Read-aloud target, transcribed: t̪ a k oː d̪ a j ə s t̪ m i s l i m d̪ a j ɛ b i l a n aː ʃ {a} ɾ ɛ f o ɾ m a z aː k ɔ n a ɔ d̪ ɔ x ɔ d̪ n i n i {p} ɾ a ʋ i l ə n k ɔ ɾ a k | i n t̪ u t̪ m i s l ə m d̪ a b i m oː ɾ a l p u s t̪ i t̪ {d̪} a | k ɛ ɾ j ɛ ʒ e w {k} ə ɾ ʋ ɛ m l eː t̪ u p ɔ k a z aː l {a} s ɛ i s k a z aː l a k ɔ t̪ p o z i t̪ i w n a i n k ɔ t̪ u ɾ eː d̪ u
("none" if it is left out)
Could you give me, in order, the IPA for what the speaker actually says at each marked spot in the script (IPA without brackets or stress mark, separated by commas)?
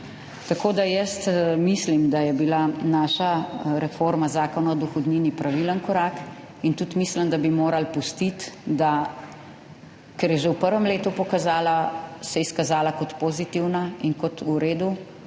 a, p, d̪, p, a